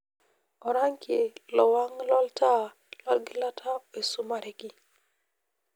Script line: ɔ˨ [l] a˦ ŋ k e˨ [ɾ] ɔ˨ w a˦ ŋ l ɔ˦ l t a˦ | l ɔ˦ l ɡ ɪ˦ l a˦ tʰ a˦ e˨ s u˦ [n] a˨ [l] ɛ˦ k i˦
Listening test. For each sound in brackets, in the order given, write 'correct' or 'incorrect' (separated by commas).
incorrect, incorrect, incorrect, incorrect